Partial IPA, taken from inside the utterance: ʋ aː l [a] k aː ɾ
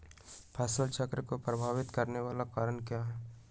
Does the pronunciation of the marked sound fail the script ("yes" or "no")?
no